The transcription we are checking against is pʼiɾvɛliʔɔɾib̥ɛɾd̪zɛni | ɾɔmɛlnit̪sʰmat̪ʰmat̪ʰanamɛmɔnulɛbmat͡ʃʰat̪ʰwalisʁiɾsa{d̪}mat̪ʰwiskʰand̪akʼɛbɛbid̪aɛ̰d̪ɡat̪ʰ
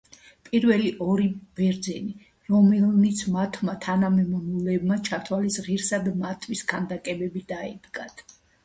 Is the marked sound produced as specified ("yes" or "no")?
yes